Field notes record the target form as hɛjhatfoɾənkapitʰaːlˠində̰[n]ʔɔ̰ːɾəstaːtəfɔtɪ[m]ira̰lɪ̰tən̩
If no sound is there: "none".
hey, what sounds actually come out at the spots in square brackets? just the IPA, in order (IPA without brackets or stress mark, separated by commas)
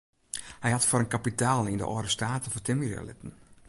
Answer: none, m